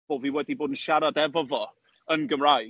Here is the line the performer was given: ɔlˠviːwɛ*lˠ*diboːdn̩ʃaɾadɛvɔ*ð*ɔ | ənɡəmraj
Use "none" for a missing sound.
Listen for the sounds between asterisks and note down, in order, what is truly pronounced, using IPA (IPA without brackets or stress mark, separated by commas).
none, v